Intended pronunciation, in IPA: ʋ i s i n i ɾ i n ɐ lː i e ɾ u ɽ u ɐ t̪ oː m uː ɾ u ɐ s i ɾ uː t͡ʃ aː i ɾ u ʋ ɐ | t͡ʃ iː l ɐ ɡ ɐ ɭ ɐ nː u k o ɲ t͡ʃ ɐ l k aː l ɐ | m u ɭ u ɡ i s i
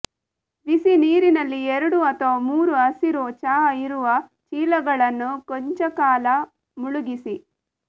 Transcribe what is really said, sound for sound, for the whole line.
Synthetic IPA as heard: ʋ i s i n iː ɾ i n ɐ lː i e ɾ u ɽ u ɐ t̪ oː m uː ɾ u ɐ s i ɾ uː t͡ʃ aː i ɾ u ʋ ɐ | t͡ʃ iː l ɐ ɡ ɐ ɭ ɐ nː u k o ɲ t͡ʃ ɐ k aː l ɐ | m u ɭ u ɡ i s i